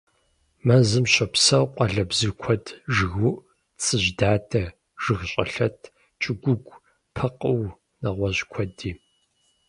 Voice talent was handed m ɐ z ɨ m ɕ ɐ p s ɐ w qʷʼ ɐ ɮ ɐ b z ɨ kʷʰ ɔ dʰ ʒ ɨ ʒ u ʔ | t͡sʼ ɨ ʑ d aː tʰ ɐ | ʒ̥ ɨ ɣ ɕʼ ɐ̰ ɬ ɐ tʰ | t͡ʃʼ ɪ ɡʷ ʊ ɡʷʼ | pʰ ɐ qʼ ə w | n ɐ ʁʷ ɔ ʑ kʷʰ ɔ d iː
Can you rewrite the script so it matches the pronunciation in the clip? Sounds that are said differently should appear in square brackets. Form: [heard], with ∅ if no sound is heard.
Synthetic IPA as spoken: m ɐ z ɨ m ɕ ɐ p s ɐ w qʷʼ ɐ ɮ ɐ b z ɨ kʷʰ ɔ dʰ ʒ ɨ [ɣ] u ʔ | t͡sʼ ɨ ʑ d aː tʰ ɐ | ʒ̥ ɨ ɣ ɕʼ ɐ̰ ɬ ɐ tʰ | t͡ʃʼ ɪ ɡʷ ʊ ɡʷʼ | pʰ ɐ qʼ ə w | n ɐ ʁʷ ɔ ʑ kʷʰ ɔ d iː